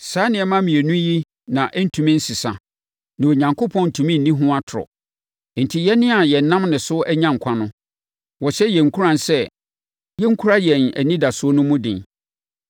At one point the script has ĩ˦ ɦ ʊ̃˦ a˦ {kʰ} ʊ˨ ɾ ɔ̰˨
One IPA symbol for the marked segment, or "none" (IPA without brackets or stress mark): tʰ